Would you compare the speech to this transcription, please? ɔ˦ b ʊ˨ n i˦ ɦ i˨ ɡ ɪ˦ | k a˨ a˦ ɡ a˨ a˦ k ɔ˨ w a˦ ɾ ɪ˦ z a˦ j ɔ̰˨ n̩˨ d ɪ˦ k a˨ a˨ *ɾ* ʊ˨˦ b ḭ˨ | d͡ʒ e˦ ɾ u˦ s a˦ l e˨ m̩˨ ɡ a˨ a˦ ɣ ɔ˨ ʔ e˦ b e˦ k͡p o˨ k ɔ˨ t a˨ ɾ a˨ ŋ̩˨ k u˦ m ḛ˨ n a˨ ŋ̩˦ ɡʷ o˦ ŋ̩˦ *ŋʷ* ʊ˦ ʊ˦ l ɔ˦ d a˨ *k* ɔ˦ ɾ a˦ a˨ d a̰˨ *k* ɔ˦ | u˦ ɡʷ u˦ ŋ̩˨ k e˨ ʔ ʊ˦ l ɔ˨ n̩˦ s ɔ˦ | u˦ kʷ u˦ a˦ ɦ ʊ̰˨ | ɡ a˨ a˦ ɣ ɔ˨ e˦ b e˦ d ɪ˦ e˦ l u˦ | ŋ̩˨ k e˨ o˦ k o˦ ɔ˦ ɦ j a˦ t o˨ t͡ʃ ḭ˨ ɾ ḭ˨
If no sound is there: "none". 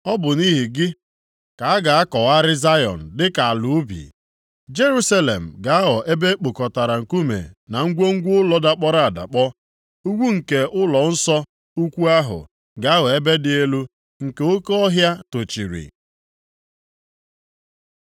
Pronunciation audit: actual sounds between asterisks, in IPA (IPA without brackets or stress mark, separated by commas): l, ɡʷ, k͡p, k͡p